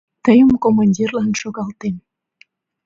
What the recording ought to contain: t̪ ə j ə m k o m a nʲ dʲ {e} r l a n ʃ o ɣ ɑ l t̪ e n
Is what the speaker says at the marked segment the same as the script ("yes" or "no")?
no